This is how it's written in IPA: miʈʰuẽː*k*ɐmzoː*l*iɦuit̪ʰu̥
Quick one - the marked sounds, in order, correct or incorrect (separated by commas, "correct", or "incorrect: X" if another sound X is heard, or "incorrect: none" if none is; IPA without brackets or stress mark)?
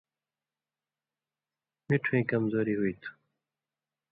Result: correct, incorrect: ɾ